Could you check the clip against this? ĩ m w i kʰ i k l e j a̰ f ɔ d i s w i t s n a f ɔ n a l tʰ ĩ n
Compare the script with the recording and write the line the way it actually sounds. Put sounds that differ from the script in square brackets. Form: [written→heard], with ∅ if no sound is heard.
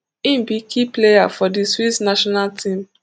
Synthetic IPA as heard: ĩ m [w→b] i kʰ i [k→p] l e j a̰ f ɔ d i s w i t s n a [f→ʃ] ɔ n a l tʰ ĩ [n→m]